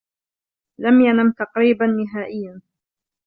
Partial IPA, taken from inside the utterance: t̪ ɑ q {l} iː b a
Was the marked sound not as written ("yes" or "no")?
yes